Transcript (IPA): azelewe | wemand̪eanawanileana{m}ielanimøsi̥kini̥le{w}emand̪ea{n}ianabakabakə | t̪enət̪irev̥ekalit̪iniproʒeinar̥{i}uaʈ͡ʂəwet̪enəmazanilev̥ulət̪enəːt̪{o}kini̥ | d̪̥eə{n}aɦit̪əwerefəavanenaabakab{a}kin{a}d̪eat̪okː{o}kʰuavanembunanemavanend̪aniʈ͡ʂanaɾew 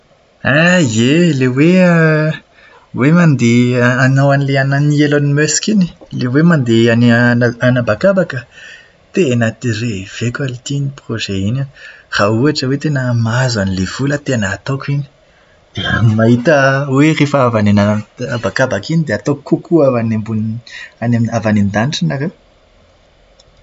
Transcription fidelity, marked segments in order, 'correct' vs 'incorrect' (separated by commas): incorrect, correct, correct, incorrect, correct, incorrect, correct, incorrect, incorrect